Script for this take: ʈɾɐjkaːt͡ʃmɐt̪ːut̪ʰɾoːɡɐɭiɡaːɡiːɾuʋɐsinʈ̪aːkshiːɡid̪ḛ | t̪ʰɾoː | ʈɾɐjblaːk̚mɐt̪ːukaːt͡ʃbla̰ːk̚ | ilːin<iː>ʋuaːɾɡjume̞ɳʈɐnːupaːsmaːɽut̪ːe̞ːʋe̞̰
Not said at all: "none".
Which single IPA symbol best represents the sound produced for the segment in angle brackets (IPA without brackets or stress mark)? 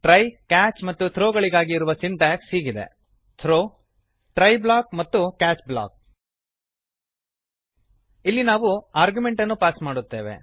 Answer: aː